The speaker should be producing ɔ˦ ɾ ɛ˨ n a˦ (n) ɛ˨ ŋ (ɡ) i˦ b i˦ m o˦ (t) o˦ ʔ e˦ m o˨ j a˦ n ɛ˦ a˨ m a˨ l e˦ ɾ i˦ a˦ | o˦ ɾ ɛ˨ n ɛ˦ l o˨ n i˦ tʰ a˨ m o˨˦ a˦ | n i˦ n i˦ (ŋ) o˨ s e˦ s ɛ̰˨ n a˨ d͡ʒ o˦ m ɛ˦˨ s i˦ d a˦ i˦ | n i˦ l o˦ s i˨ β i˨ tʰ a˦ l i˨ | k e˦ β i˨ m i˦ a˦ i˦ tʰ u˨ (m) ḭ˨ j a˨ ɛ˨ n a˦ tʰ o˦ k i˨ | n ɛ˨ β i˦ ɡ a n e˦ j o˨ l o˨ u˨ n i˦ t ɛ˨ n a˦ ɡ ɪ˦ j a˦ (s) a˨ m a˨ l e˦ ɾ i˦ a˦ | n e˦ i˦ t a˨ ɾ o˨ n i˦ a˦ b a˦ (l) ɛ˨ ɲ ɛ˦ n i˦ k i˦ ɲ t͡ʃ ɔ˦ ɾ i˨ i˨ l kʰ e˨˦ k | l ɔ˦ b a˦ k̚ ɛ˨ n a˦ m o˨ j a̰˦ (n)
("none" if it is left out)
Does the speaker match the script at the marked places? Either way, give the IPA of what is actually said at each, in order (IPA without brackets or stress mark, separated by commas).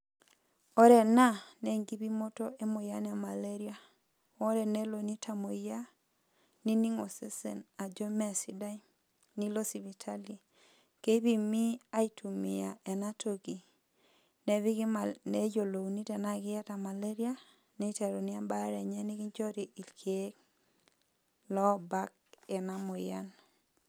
n, ɡ, t, ŋ, m, t, ɾ, n